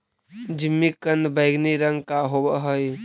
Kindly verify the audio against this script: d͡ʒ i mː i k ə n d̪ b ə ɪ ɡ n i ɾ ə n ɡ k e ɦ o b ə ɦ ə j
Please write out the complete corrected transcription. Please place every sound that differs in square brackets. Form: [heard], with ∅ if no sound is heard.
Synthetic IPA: d͡ʒ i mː i k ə n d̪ b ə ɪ ɡ n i ɾ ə [ŋ] ɡ k [a] ɦ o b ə ɦ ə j